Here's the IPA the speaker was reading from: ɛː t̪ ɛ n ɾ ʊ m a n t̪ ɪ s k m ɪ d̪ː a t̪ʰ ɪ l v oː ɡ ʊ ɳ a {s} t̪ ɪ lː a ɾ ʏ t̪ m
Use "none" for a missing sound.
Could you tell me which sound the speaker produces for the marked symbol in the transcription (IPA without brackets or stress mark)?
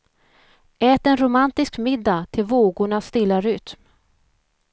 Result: s